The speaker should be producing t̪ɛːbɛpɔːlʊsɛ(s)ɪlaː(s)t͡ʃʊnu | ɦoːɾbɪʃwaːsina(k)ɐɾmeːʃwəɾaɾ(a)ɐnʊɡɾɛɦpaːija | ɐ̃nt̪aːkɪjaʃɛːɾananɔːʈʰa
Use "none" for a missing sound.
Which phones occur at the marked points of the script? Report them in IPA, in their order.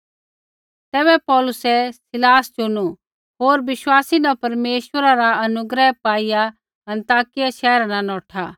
s, s, p, a

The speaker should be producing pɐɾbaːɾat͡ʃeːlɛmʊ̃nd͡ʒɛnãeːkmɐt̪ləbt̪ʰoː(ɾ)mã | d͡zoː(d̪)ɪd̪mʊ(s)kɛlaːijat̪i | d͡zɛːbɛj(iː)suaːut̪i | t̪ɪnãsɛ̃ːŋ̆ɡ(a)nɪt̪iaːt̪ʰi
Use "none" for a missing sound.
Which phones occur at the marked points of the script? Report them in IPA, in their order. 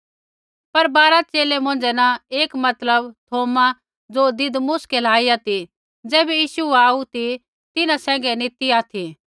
none, d̪, s, iː, ɛ

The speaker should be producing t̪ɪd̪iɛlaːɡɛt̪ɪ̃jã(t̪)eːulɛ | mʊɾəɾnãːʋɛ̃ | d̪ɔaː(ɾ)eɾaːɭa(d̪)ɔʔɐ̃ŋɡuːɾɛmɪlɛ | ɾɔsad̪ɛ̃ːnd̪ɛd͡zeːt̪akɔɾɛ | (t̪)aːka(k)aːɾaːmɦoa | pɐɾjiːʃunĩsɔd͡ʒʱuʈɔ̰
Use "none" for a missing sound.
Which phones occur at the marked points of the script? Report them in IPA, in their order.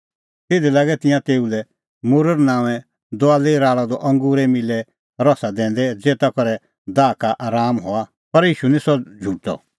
t̪, l, d̪, d̪, ʔ

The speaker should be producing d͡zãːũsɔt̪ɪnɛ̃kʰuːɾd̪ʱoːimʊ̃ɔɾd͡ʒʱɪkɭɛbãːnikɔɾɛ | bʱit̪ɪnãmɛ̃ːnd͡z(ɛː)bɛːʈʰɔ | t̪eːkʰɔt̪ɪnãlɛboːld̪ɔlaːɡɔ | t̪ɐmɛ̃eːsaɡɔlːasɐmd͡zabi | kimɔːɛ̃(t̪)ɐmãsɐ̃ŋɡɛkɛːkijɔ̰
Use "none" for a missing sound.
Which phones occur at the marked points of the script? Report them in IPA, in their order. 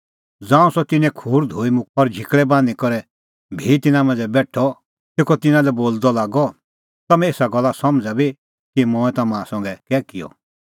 ɛ, t̪

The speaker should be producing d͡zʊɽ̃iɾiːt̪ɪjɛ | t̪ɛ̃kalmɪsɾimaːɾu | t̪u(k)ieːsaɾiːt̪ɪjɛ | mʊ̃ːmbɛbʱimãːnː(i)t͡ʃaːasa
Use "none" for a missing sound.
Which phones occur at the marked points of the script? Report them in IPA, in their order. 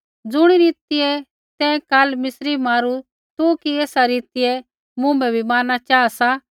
k, a

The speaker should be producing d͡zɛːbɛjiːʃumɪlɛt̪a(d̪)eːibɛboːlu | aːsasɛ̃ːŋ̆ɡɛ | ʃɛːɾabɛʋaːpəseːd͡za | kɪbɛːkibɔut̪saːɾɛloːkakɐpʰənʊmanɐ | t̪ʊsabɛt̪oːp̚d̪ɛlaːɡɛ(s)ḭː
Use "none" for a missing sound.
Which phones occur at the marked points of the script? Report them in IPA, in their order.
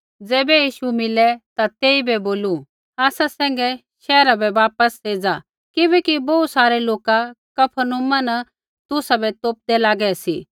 t̪, s

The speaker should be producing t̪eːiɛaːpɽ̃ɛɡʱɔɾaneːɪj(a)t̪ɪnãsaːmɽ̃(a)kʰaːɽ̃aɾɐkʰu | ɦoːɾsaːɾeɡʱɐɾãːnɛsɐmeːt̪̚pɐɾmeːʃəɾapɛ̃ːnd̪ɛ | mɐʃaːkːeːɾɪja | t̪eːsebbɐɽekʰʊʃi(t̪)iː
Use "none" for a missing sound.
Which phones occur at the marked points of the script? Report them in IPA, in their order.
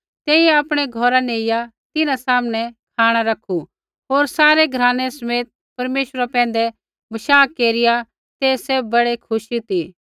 a, ɛ, t̪

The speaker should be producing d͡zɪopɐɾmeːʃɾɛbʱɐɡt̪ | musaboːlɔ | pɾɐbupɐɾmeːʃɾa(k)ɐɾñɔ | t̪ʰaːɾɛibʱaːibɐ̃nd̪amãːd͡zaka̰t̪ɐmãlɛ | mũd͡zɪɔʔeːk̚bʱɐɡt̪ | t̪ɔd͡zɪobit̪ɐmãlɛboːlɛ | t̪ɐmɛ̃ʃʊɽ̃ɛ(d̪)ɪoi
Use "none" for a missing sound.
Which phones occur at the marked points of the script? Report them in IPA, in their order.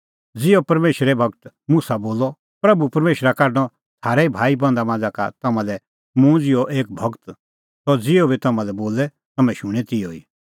k, t̪

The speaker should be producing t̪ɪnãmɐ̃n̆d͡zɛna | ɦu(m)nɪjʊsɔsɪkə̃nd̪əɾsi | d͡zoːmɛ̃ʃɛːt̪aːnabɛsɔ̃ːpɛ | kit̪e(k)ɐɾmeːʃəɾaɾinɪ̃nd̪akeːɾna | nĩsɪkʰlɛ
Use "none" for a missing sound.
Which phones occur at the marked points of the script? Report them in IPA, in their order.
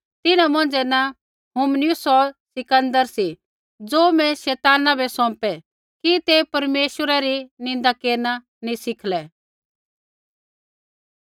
m, p

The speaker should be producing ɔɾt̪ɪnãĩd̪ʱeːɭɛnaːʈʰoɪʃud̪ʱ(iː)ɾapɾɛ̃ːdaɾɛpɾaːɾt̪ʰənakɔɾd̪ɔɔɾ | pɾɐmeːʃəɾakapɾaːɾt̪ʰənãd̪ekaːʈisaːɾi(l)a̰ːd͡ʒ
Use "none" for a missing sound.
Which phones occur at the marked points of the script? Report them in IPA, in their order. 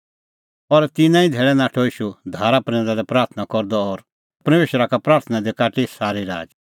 aː, ɾ

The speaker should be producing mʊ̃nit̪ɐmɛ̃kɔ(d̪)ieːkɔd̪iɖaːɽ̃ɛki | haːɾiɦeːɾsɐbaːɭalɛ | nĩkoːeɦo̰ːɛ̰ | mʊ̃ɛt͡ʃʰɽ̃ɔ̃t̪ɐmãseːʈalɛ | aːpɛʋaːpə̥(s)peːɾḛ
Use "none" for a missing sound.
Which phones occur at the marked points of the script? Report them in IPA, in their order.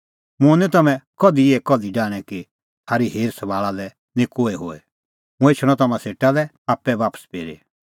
d̪, s

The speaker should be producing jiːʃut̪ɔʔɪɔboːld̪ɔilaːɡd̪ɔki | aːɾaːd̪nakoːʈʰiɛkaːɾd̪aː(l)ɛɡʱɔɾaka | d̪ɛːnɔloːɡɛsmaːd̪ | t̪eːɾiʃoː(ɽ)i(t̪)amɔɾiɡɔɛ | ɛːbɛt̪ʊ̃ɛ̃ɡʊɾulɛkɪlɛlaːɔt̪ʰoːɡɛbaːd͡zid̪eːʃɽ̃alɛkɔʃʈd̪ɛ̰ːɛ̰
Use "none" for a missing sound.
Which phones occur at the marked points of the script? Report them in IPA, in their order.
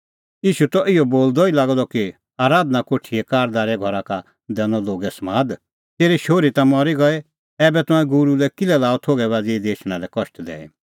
ɾ, ɾ, t̪

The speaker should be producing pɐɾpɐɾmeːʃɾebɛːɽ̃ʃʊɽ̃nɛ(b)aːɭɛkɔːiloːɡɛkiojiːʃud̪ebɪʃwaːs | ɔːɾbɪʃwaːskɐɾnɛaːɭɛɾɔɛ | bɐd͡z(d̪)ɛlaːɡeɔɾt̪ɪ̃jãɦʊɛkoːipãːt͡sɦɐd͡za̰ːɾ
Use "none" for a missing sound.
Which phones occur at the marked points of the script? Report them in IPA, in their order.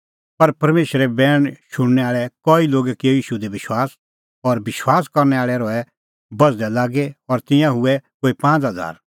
none, d̪

